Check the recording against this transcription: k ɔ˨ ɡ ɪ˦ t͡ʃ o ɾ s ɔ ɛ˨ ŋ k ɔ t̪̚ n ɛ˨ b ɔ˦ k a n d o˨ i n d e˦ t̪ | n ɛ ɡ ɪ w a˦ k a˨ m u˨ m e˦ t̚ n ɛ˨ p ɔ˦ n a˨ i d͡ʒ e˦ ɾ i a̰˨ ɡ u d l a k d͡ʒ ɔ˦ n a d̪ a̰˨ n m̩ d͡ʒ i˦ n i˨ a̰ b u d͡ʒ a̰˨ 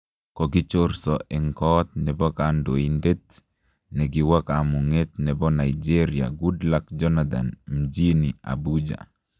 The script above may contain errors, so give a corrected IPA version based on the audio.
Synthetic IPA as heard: k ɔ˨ ɡ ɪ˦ t͡ʃ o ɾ s ɔ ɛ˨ ŋ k ɔ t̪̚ n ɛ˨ b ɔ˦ k a n d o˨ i n d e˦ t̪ | n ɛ ɡ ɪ w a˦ k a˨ m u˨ ŋ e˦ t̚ n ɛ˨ b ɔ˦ n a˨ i d͡ʒ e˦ ɾ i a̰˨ ɡ u d l a k d͡ʒ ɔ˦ n a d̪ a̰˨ n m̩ d͡ʒ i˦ n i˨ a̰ b u d͡ʒ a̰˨